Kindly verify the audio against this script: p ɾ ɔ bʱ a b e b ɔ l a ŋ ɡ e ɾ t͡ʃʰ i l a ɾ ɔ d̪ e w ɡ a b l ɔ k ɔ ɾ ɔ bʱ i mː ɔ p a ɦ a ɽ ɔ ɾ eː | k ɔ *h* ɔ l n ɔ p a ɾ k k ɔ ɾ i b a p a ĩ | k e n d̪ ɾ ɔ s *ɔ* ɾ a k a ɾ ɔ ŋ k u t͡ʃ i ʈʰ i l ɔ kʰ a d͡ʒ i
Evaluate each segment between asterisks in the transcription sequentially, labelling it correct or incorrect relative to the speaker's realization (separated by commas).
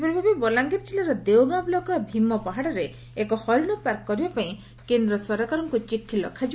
correct, correct